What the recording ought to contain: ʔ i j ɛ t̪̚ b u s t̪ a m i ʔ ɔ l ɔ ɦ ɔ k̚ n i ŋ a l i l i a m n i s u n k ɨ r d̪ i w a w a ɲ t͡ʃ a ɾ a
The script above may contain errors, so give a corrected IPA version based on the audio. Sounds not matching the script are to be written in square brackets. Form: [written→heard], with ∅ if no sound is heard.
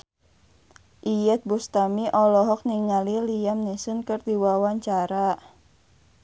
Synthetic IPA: ʔ i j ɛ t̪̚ b u s t̪ a m i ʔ ɔ l ɔ ɦ ɔ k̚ n i ŋ a l i l i a m n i s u n k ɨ r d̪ i w a w a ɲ t͡ʃ a ɾ a